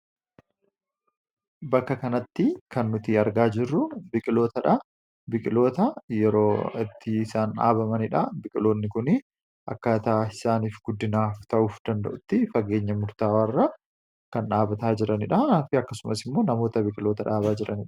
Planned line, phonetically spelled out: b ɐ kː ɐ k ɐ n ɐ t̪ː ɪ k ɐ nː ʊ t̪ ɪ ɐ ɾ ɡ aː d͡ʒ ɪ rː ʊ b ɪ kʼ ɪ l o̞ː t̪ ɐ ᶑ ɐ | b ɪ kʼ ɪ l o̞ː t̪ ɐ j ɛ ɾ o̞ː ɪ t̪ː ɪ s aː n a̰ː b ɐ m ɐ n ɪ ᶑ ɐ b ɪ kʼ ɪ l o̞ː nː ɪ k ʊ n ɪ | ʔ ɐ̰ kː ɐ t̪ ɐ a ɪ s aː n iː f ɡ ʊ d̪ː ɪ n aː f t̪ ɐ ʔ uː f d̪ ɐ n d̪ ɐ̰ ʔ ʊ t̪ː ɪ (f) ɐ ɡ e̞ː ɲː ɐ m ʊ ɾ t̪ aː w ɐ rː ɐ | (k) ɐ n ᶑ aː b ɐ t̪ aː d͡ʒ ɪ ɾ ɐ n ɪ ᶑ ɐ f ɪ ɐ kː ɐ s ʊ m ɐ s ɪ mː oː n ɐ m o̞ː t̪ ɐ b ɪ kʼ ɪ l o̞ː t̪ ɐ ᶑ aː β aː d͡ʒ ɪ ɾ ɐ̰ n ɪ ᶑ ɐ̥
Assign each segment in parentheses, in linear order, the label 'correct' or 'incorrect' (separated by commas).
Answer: correct, correct